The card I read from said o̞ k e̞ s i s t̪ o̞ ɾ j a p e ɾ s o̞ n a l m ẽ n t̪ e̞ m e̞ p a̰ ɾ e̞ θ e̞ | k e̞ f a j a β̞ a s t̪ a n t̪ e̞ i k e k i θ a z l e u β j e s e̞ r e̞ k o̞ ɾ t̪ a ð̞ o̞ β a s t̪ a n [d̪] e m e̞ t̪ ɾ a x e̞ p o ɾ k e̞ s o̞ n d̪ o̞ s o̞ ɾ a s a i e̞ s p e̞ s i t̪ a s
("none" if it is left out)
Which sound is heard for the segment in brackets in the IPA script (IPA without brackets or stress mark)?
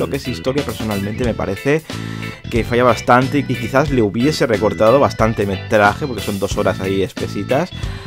t̪